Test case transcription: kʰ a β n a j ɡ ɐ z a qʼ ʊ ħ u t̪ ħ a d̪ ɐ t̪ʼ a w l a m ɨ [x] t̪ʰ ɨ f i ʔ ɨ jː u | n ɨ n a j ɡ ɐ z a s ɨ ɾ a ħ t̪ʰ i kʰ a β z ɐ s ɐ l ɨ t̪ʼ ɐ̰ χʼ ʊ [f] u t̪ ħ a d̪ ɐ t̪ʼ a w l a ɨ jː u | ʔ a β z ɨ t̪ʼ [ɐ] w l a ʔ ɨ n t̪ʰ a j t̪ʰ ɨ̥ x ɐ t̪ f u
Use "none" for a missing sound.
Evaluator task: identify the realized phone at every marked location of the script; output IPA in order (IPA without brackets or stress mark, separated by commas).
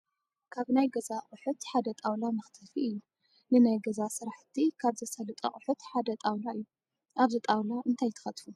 x, ħ, a